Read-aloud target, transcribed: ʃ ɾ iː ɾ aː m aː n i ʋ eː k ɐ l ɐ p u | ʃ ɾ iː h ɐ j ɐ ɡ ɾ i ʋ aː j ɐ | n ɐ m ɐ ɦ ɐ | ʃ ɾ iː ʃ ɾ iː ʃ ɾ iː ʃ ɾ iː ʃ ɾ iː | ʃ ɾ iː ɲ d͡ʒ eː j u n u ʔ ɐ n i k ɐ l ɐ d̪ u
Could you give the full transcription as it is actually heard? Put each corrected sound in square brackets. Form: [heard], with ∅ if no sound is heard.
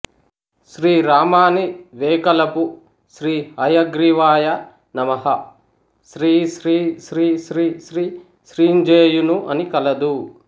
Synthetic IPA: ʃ ɾ iː ɾ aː m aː n i ʋ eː k ɐ l ɐ p u | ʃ ɾ iː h ɐ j ɐ ɡ ɾ i ʋ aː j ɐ | n ɐ m ɐ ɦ ɐ | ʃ ɾ iː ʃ ɾ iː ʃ ɾ iː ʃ ɾ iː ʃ ɾ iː | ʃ ɾ iː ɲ d͡ʒ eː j u n u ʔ ɐ n i k ɐ l ɐ d̪ u